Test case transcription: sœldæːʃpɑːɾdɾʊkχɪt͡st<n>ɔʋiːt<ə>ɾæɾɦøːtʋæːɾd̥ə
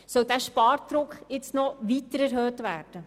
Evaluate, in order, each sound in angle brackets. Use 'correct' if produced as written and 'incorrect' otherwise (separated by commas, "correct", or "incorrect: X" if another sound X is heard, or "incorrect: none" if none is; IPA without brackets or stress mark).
correct, correct